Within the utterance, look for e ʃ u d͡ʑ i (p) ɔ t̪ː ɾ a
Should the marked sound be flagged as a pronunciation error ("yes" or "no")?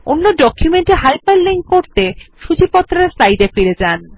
no